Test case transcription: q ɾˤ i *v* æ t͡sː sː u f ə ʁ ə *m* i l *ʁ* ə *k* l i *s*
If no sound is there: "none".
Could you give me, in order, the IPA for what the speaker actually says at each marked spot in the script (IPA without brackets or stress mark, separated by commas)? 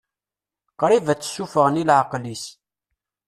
v, n, ʕ, q, s